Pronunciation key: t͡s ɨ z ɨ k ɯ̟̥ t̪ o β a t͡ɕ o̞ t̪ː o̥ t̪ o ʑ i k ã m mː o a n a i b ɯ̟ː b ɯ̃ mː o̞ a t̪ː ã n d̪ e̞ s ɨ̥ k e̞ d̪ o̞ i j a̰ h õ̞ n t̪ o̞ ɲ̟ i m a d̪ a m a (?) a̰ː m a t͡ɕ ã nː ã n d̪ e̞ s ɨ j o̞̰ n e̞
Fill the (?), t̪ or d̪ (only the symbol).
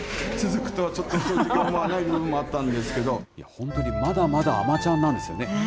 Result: d̪